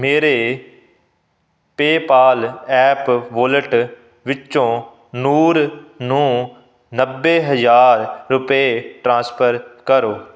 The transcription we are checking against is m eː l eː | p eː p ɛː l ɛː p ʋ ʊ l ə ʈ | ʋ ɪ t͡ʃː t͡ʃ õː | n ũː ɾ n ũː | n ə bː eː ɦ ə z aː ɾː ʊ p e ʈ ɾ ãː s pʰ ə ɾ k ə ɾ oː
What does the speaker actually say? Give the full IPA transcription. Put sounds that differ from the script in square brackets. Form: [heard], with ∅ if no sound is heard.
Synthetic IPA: m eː [ɾ] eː | p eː p [aː] l ɛː p ʋ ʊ l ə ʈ | ʋ ɪ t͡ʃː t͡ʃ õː | n [uː] ɾ n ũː | n ə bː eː ɦ ə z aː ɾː ʊ p e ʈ ɾ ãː s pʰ ə ɾ k ə ɾ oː